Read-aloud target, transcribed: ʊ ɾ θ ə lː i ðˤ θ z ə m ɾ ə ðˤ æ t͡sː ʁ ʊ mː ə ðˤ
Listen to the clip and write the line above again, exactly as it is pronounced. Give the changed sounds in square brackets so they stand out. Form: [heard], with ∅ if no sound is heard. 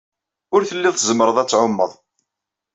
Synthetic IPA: ʊ ɾ θ ə lː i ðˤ θ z ə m ɾ ə ðˤ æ t͡sː [ʕ] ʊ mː ə ðˤ